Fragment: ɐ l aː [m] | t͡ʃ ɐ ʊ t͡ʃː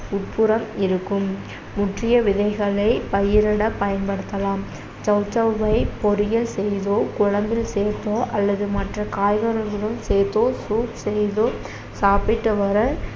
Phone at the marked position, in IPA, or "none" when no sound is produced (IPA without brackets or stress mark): m